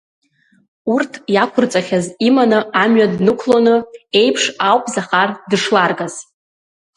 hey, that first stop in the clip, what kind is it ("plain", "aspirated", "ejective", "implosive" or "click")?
aspirated